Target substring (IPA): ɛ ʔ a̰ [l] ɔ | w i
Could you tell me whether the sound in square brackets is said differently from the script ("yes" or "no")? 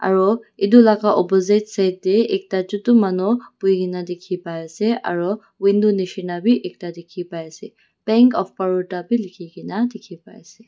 yes